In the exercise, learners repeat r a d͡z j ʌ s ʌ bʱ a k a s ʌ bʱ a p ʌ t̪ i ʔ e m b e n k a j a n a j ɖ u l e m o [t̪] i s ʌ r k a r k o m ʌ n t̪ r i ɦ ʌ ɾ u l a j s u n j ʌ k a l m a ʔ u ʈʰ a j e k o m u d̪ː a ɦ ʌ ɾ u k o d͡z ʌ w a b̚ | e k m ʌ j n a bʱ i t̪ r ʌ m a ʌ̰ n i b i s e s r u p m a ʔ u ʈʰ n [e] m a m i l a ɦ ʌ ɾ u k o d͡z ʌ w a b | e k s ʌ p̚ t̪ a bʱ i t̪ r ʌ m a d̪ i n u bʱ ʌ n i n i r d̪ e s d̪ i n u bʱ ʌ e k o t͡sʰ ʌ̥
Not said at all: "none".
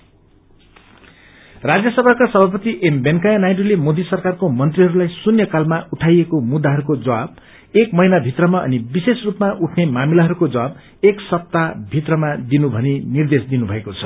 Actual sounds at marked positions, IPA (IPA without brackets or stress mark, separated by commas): d̪, e